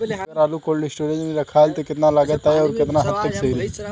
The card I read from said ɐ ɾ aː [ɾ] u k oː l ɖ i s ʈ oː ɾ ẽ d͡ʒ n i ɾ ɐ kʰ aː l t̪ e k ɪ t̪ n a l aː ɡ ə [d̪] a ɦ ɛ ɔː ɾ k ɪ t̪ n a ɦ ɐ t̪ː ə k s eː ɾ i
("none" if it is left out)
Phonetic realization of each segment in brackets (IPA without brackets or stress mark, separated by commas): l, t̪